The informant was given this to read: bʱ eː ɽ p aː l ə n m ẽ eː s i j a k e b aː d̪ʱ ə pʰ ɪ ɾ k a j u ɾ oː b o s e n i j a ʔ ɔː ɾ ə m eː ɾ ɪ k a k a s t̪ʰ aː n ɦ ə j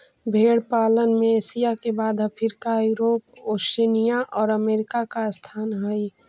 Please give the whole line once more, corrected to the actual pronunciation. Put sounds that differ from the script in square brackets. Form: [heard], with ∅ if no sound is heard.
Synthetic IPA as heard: bʱ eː ɽ p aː l ə n m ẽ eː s i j a k e b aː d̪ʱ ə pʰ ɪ ɾ k a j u ɾ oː [p] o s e n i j a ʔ ɔː ɾ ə m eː ɾ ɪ k a k a s t̪ʰ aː n ɦ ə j

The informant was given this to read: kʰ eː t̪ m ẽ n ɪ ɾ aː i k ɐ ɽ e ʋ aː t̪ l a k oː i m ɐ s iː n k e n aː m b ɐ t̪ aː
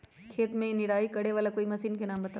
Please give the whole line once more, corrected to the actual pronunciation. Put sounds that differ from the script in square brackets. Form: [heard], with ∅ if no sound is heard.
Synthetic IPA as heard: kʰ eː t̪ m ẽ n ɪ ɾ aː i k ɐ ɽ e ʋ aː [∅] l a k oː i m ɐ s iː n k e n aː m b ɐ t̪ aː

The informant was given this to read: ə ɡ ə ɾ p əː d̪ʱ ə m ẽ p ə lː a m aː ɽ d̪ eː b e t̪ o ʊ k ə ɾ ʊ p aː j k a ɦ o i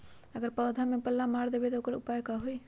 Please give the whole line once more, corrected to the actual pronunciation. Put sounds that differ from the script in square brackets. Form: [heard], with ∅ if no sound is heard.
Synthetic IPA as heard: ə ɡ ə ɾ p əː d̪ʱ [a] m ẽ p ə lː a m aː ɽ d̪ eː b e t̪ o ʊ k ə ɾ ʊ p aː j k a ɦ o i

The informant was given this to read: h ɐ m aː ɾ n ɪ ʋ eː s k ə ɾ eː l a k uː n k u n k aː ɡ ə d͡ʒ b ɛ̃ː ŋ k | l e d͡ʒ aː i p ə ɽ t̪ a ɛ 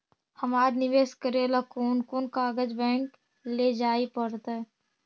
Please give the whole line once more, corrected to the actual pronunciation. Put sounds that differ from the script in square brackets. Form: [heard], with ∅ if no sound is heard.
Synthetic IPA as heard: h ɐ m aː ɾ n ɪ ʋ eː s k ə ɾ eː l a k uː n k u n k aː ɡ ə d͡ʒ b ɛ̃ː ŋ k | l e d͡ʒ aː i p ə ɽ t̪ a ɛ

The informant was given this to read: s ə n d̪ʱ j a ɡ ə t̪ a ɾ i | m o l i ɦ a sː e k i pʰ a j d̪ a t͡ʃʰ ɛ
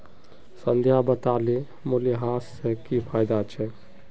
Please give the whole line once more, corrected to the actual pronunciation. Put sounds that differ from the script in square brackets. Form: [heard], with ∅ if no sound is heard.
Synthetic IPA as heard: s ə n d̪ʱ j a [b] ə t̪ a [l] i | m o l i ɦ a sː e k i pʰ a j d̪ a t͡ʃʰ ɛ

